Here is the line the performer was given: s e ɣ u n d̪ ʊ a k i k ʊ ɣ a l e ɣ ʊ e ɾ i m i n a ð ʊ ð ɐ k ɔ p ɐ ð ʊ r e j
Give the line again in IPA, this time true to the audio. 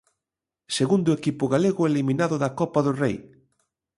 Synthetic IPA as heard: s e ɣ u n d̪ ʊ e k i p ʊ ɣ a l e ɣ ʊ e l i m i n a ð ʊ ð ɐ k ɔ p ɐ ð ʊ r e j